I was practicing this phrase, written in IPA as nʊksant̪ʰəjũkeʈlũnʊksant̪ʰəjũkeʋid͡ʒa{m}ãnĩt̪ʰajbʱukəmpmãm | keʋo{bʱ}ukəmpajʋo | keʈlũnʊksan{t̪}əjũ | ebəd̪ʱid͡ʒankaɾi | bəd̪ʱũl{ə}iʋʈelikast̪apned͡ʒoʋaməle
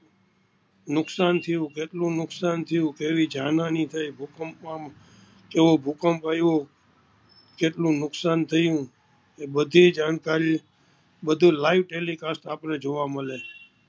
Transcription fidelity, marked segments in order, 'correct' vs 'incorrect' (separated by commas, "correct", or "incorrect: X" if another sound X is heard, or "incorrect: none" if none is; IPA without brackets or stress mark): incorrect: n, correct, incorrect: t̪ʰ, incorrect: a